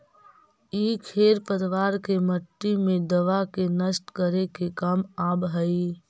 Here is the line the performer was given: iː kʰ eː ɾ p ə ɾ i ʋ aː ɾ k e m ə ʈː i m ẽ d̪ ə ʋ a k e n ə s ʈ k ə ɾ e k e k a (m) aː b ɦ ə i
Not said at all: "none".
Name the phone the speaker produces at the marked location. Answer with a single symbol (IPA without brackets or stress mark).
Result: m